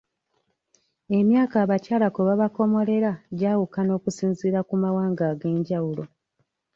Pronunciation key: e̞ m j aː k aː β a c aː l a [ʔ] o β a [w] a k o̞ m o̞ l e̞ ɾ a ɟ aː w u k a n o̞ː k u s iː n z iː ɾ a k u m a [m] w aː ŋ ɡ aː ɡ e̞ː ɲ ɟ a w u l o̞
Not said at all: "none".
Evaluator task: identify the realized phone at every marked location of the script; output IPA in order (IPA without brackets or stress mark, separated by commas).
k, β, none